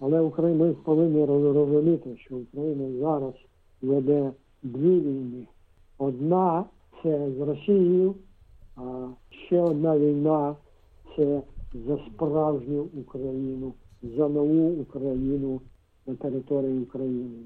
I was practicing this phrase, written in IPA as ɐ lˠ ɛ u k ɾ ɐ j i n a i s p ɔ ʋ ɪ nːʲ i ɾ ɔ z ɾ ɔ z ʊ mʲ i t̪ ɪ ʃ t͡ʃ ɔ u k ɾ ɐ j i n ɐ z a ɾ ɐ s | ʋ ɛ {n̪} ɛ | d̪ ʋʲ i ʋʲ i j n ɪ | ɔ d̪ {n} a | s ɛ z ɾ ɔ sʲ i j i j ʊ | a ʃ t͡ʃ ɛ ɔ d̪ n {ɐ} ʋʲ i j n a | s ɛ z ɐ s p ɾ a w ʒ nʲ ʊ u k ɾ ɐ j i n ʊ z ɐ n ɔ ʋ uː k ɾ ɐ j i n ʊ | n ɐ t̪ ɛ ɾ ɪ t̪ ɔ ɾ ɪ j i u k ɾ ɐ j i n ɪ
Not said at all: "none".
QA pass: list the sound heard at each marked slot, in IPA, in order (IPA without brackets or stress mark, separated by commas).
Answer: d̪, n, a